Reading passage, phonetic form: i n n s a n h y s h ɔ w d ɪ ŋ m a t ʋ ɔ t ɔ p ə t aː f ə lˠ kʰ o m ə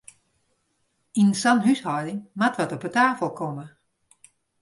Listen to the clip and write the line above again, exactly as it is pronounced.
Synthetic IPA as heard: i n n s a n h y s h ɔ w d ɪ ŋ m a t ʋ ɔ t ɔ p ə t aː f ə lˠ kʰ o m ə